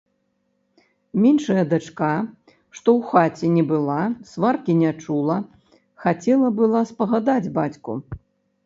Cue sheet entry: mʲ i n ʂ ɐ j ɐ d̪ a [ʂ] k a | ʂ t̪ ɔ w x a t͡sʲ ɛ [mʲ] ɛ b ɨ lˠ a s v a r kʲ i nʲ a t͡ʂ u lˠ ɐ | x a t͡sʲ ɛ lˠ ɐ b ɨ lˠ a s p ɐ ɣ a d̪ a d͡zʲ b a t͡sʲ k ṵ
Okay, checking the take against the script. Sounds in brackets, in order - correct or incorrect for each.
incorrect, incorrect

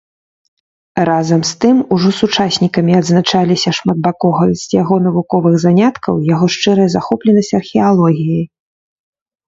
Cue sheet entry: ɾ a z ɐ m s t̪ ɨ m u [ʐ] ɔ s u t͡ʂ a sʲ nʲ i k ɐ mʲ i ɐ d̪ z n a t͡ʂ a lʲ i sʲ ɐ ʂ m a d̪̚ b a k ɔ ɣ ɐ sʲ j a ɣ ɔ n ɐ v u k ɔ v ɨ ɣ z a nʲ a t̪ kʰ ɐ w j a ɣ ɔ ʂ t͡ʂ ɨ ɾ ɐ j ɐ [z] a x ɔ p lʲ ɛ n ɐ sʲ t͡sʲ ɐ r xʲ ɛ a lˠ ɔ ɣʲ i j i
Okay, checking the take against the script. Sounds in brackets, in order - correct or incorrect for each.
correct, correct

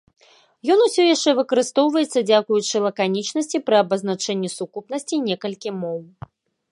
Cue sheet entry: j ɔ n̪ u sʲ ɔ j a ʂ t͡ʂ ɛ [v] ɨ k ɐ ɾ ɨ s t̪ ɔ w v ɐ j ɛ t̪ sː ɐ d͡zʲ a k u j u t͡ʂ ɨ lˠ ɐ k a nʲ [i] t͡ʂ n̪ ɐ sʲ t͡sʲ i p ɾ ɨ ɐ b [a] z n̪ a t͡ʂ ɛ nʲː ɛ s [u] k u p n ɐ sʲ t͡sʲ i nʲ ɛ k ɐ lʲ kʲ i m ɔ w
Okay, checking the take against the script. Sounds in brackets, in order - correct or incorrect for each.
correct, correct, incorrect, correct

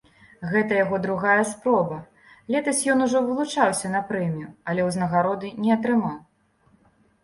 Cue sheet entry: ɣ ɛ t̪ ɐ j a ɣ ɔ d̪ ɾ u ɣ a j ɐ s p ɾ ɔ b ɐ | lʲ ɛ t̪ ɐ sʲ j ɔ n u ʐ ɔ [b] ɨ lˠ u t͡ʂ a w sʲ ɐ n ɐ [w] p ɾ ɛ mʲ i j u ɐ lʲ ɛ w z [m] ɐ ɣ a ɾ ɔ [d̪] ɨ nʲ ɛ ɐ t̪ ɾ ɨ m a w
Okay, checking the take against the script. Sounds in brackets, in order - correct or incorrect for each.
incorrect, incorrect, incorrect, correct

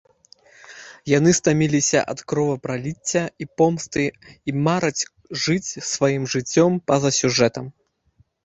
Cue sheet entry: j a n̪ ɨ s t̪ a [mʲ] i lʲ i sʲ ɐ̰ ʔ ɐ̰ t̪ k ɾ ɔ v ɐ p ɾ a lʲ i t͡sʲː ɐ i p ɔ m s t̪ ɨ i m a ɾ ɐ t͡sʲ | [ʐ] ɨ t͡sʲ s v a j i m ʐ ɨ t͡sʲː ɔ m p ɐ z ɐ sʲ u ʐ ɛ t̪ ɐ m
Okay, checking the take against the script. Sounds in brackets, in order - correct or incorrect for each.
correct, correct

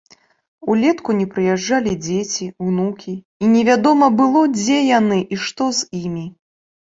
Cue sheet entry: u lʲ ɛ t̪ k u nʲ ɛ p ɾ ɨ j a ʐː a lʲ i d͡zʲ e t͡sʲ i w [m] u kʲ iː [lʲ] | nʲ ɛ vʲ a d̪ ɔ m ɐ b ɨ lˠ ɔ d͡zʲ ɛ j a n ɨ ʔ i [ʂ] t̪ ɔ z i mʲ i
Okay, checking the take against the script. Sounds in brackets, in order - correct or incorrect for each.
incorrect, incorrect, correct

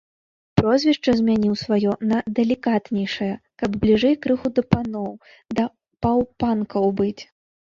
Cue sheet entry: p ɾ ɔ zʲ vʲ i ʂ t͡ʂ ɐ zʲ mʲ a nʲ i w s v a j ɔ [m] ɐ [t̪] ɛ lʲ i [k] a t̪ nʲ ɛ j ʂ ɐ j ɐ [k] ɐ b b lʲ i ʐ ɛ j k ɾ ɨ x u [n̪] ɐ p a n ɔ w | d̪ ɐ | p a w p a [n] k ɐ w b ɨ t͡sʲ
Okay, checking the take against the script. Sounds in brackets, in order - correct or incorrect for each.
incorrect, incorrect, correct, correct, incorrect, correct

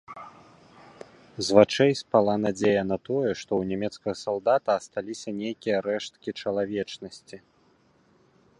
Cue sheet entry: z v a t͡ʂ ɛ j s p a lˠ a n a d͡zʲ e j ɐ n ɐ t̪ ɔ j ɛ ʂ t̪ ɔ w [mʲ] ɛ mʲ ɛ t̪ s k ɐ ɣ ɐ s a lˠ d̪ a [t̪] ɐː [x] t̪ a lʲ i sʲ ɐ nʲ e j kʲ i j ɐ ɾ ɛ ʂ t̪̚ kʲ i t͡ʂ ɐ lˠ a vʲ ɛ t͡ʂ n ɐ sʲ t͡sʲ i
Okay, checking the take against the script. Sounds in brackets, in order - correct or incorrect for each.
incorrect, correct, incorrect

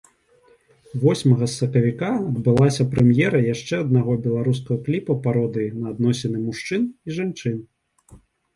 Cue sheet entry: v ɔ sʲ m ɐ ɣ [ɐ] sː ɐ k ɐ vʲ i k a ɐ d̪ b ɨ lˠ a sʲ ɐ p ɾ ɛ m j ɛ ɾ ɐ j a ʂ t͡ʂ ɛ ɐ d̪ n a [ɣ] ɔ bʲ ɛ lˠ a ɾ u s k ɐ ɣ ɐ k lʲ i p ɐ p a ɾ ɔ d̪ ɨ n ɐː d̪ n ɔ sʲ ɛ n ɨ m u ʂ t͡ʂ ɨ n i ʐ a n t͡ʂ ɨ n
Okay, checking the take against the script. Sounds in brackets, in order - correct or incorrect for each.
correct, correct

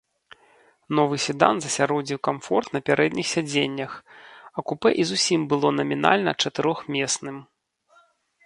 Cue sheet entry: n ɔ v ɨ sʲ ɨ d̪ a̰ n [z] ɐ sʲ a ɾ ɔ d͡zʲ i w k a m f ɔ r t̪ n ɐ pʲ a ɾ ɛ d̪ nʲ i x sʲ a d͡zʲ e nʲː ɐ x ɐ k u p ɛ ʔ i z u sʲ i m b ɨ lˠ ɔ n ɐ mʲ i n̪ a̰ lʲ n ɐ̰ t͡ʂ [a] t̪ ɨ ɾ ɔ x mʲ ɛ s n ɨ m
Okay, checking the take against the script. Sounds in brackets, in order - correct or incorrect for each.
correct, incorrect

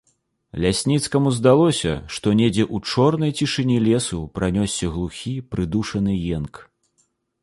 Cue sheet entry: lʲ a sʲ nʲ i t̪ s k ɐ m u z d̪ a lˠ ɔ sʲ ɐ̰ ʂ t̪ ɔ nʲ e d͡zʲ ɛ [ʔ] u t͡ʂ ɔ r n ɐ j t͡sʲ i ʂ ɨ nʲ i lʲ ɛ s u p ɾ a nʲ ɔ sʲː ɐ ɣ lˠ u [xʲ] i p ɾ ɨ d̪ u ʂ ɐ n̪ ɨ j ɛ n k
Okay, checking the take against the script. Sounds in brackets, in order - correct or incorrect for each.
correct, correct

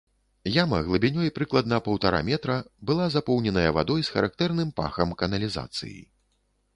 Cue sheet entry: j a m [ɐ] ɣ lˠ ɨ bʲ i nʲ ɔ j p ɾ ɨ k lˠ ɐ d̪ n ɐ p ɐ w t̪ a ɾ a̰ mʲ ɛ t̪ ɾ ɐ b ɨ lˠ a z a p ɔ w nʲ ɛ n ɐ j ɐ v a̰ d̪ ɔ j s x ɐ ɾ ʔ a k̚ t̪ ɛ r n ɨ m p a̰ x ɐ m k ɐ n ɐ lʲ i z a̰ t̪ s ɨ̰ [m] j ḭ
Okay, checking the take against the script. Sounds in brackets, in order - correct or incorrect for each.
correct, incorrect

